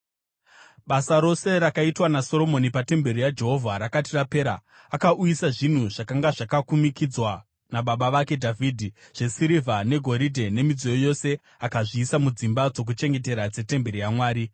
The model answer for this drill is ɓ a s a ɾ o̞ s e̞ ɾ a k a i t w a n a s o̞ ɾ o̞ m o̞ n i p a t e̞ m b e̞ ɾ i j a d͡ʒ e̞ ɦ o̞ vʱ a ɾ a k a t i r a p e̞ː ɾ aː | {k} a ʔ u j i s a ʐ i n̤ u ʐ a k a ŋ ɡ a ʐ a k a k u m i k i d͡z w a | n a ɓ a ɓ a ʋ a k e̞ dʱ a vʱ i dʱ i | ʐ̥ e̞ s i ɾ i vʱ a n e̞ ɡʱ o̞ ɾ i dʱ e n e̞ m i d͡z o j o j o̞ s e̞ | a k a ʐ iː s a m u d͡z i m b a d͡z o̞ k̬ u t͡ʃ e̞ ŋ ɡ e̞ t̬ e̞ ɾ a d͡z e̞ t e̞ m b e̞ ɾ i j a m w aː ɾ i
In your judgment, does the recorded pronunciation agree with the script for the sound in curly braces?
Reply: yes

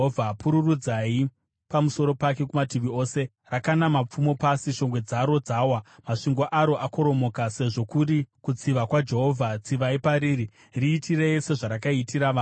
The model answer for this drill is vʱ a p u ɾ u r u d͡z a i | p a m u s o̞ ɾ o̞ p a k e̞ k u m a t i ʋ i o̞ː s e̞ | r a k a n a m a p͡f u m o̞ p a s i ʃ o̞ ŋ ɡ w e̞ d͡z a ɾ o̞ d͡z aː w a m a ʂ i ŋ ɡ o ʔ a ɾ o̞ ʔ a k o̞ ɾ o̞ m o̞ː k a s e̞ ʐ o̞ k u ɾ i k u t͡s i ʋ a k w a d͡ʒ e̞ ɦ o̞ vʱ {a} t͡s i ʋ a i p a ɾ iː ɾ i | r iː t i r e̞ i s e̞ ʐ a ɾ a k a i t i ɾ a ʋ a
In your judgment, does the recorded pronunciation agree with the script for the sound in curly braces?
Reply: yes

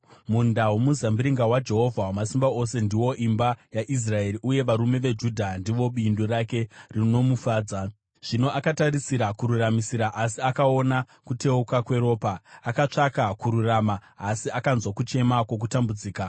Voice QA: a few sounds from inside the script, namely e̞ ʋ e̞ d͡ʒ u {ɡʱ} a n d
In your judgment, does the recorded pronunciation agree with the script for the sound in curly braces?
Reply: no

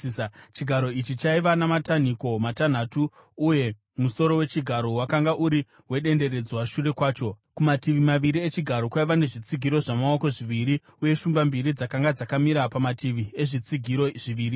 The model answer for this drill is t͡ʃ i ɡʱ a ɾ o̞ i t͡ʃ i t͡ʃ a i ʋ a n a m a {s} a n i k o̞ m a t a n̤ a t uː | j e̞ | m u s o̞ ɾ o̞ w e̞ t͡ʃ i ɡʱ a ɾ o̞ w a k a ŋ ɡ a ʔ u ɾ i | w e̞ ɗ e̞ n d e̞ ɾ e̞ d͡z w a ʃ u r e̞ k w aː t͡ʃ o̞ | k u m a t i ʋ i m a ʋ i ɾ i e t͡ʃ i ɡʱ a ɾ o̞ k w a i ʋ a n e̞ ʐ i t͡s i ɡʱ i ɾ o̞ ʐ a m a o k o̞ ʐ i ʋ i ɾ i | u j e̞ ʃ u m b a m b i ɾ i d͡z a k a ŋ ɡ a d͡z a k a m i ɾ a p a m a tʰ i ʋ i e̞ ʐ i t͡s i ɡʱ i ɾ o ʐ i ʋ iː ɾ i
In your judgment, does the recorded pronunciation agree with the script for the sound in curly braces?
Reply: no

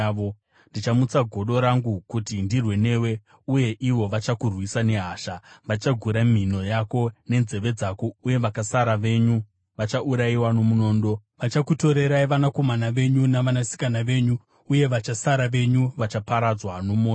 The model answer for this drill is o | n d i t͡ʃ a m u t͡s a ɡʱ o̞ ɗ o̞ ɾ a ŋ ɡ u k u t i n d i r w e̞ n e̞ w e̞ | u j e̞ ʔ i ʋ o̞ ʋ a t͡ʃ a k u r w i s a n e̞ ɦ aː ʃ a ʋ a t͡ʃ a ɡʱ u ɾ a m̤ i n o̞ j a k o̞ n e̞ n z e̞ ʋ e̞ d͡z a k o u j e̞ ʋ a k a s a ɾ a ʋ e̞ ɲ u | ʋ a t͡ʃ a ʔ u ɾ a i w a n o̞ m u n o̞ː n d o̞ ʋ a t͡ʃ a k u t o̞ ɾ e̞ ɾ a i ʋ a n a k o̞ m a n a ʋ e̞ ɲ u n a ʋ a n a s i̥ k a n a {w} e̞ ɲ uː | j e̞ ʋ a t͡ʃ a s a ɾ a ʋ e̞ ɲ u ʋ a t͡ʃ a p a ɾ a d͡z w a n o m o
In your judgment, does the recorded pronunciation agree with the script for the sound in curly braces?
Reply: no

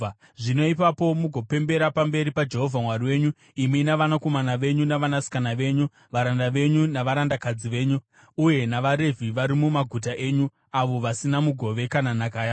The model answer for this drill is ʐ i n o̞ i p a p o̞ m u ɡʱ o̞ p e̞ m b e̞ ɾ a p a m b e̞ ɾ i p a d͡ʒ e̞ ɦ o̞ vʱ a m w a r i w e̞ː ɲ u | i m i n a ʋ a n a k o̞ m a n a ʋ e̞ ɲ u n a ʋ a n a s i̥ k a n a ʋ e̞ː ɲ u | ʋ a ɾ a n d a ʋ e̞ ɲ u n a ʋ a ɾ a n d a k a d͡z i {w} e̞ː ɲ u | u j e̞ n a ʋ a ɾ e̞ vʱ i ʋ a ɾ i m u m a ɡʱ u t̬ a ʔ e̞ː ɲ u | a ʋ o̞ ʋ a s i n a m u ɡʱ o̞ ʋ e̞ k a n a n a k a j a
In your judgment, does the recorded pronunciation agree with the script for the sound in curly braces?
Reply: no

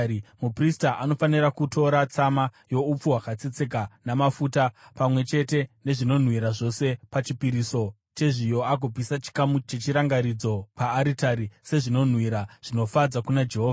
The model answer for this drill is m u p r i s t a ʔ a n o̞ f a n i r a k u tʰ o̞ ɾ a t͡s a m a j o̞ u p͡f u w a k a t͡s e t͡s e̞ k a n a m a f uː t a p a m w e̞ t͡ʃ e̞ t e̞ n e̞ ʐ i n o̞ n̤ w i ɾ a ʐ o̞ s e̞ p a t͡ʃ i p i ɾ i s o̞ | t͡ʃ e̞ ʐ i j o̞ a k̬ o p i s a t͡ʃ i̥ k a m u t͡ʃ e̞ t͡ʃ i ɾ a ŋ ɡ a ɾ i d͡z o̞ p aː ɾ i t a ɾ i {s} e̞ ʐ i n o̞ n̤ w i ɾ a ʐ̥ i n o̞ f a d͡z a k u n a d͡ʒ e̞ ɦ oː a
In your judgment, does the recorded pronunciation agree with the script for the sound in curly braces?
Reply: yes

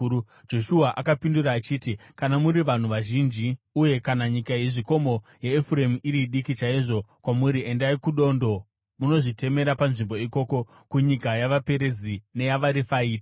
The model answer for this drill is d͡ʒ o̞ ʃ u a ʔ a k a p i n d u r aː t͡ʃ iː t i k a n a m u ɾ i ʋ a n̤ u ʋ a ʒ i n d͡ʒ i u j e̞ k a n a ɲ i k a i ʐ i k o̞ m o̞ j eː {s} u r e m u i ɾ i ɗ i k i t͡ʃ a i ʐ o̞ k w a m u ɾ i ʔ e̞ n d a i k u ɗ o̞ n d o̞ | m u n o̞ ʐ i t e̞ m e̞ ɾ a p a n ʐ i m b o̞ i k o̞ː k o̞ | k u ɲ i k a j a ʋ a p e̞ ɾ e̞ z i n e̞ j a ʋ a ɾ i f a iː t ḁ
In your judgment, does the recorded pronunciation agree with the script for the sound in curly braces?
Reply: no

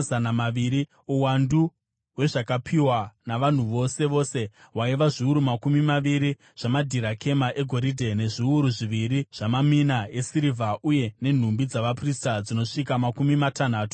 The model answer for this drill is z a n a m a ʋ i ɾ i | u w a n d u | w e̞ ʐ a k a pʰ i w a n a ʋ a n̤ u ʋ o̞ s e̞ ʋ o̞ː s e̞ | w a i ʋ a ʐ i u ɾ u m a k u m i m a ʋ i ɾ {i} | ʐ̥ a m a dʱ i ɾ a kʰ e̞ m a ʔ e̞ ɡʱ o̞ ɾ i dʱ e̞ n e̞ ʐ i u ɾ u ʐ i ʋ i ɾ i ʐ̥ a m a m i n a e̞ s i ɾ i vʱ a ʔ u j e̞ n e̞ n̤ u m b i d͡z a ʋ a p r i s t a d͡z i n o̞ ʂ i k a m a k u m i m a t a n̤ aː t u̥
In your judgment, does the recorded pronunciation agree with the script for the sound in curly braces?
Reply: yes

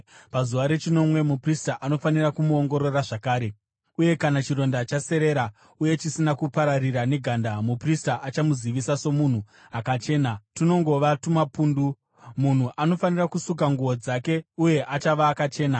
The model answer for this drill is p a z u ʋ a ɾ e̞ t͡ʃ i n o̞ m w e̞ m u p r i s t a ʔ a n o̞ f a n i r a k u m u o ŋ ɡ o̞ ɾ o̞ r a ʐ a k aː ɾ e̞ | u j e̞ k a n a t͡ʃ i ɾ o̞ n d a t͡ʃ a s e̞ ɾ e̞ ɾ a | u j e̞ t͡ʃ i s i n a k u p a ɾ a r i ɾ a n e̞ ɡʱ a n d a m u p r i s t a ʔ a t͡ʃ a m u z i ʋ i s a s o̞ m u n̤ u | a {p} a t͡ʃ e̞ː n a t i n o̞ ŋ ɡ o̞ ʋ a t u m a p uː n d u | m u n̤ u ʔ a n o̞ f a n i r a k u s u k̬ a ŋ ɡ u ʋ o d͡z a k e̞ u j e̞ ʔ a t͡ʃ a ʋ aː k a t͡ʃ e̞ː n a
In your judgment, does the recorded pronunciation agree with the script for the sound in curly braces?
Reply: no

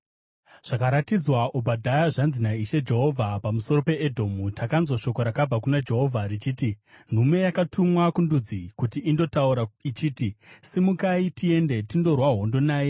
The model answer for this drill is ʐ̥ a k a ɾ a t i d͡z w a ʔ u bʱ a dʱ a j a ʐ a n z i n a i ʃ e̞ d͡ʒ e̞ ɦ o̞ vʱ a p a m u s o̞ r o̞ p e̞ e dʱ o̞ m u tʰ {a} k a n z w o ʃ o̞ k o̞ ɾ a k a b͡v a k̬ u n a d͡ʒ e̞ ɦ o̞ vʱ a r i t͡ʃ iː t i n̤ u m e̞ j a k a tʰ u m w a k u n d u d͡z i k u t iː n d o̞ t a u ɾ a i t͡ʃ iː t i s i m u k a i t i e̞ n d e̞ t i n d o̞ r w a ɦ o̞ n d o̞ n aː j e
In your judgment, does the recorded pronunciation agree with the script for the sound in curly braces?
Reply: yes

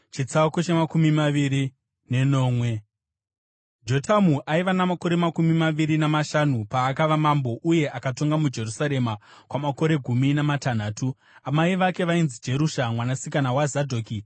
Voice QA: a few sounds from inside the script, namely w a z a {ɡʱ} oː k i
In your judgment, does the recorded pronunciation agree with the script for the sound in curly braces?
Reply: no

